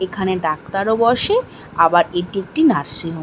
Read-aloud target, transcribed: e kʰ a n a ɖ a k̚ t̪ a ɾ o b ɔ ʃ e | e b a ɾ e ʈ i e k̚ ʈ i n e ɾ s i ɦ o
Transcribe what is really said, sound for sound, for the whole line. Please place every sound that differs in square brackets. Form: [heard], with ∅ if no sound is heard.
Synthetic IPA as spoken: e kʰ a n [e] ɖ a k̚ t̪ a ɾ o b ɔ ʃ e | [a] b a ɾ e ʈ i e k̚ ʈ i n [a] ɾ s i ɦ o